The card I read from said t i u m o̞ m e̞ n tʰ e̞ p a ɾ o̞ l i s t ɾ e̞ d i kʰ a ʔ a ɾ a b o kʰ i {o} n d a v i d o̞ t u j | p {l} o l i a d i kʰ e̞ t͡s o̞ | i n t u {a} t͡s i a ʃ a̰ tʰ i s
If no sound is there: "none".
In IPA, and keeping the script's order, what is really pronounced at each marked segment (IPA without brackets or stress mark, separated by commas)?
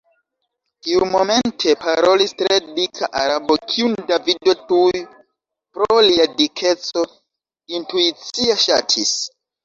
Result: u, ɾ, i